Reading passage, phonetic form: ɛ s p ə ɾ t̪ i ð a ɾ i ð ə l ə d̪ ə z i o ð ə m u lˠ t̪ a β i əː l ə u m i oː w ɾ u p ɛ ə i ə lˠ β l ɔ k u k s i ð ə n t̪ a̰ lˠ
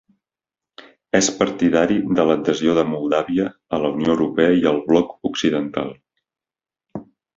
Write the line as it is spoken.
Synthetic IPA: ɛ s p ə ɾ t̪ i ð a ɾ i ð ə l ə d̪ ə z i o ð ə m u lˠ d̪ a β i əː l ə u n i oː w ɾ u p ɛ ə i ə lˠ β l ɔ k u k s i ð ə n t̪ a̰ lˠ

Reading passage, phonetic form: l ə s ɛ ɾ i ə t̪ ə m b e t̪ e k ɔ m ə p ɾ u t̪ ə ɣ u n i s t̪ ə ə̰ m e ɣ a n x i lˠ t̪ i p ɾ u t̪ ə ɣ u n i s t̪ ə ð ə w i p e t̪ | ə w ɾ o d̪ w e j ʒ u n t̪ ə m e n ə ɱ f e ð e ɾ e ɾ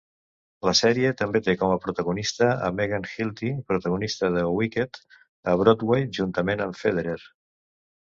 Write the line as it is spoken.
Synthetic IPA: l ə s ɛ ɾ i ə t̪ ə m b e t̪ e k ɔ m ə p ɾ u t̪ ə ɣ u n i s t̪ ə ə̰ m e ɣ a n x i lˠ t̪ i p ɾ u t̪ ə ɣ u n i s t̪ ə ð ə w i k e t̪ | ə β ɾ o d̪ w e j ʒ u n t̪ ə m e n ə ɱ f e ð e ɾ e ɾ

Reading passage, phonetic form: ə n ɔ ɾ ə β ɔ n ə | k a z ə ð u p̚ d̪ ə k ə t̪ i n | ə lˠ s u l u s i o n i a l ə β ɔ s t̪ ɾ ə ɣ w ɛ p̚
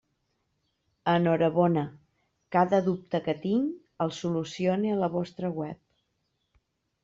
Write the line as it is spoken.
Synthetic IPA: ə n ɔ ɾ ə β ɔ n ə | k a ð ə ð u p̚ t̪ ə k ə t̪ i ŋ | ə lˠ s u l u s i o n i ə l ə β ɔ s t̪ ɾ ə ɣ w ɛ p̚

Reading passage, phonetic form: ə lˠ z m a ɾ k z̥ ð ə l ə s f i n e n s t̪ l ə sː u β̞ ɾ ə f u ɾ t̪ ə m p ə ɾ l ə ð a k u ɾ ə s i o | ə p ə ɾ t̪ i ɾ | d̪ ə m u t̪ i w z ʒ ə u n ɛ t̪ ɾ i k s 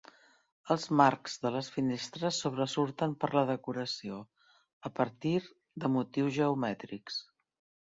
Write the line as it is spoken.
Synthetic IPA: ə lˠ z m a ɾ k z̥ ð ə l ə s f i n e s t̪ ɾ ə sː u β̞ ɾ ə s u ɾ t̪ ə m p ə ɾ l ə ð ə k u ɾ ə s i o | ə p ə ɾ t̪ i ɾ | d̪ ə m u t̪ i w z ʒ ə u m ɛ t̪ ɾ i k s

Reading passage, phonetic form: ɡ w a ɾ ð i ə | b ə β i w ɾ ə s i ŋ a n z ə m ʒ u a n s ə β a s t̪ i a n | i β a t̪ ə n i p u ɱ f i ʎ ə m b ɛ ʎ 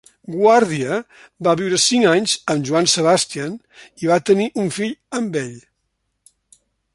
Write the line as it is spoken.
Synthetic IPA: ɡ w a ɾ ð i ə | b a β i w ɾ ə s i ŋ a ɲ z ə m ʒ u a n s ə β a s t̪ i a n | i β a t̪ ə n i ʔ u ɱ f i ʎ ə m b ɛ ʎ

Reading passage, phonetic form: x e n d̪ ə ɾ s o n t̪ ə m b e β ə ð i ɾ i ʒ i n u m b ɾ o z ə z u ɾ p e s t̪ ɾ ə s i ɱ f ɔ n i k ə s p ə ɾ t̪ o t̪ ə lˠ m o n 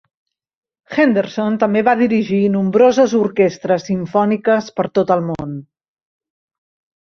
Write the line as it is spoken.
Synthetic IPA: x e n d̪ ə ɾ s o n t̪ ə m b e β a ð i ɾ i ʒ i n u m b ɾ o z ə z u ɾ k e s t̪ ɾ ə s i ɱ f ɔ n i k ə s p ə ɾ t̪ o t̪ ə lˠ m o n

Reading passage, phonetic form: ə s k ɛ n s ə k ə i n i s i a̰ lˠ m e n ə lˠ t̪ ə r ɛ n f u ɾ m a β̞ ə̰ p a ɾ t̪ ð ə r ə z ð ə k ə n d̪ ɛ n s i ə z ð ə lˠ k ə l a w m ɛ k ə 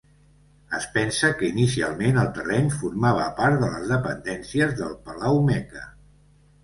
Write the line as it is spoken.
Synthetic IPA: ə s p ɛ n s ə k ə i n i s i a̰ lˠ m e n ə lˠ t̪ ə r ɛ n f u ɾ m a β̞ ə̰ p a ɾ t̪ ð ə l ə z ð ə p ə n d̪ ɛ n s i ə z ð ə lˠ p ə l a w m ɛ k ə

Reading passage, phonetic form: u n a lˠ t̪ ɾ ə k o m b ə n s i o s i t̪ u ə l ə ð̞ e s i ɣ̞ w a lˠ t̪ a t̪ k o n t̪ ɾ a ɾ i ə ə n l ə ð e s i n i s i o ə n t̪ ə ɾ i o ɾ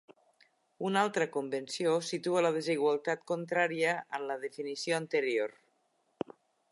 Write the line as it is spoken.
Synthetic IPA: u n a lˠ t̪ ɾ ə k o m b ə n s i o s i t̪ u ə l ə ð̞ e z i ɣ̞ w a lˠ t̪ a t̪ k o n t̪ ɾ a ɾ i ə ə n l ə ð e f i n i s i o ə n t̪ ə ɾ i o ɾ

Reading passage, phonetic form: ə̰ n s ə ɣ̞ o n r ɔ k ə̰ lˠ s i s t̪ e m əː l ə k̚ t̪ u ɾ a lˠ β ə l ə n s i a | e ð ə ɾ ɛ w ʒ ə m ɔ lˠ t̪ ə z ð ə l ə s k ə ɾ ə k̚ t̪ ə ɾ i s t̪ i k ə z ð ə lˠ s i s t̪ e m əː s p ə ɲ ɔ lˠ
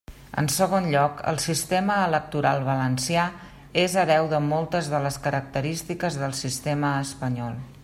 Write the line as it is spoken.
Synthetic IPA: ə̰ n s ə ɣ̞ o n ʎ ɔ k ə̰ lˠ s i s t̪ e m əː l ə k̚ t̪ u ɾ a lˠ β ə l ə n s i a | e z ə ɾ ɛ w ð ə m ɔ lˠ t̪ ə z ð ə l ə s k ə ɾ ə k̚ t̪ ə ɾ i s t̪ i k ə z ð ə lˠ s i s t̪ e m əː s p ə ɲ ɔ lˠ

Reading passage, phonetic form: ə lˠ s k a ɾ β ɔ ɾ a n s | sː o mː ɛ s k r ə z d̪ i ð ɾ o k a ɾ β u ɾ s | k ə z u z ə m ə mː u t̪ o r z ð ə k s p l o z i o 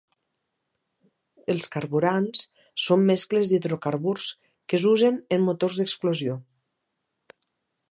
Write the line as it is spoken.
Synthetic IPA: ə lˠ s k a ɾ β u ɾ a n s | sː o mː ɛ s k l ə z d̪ i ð ɾ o k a ɾ β u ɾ s | k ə z u z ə n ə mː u t̪ o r z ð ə k s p l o z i o

